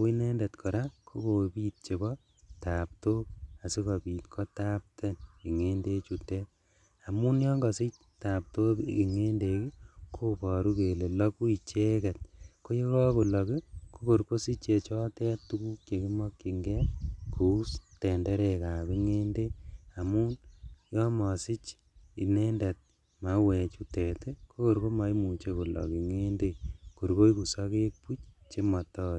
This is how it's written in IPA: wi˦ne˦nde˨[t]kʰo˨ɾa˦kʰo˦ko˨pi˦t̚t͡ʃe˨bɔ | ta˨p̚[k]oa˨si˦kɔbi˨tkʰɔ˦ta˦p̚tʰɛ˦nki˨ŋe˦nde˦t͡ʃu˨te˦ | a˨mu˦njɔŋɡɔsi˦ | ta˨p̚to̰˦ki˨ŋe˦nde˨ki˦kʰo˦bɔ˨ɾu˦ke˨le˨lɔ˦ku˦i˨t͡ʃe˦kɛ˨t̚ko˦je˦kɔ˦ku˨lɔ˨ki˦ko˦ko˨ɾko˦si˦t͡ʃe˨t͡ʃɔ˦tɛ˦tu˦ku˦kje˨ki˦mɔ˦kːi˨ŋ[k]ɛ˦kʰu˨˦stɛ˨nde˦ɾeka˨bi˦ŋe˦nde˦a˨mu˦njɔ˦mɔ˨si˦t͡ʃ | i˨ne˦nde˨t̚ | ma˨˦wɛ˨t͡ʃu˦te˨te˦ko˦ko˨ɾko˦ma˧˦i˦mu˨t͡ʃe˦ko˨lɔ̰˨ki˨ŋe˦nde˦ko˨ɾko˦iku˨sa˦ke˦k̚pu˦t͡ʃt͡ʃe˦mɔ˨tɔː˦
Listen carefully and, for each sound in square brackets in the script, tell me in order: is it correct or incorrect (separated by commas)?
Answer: correct, incorrect, incorrect